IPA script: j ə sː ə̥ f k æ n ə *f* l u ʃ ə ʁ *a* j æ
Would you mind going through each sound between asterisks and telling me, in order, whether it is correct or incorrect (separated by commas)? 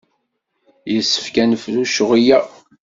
correct, incorrect